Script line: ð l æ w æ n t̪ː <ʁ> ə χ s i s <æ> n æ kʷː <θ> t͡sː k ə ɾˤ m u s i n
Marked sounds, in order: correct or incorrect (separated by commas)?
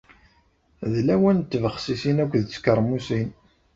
incorrect, incorrect, incorrect